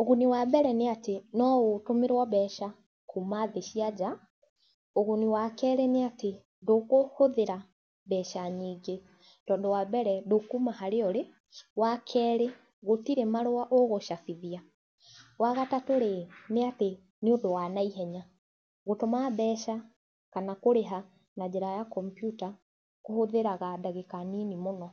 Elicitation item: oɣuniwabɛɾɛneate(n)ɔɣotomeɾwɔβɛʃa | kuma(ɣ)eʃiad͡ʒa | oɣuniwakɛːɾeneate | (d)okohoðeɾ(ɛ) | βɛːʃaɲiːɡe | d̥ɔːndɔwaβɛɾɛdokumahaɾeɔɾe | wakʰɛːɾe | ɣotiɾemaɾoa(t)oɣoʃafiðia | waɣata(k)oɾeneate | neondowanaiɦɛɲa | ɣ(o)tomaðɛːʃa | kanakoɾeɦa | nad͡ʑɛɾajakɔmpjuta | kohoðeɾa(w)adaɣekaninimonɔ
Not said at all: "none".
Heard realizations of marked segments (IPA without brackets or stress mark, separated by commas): n, ð, d, a, ʔ, t, o, ɣ